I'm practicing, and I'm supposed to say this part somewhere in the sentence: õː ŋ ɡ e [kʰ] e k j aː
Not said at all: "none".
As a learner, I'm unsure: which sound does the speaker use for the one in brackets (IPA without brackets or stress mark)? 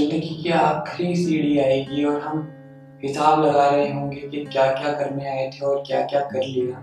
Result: k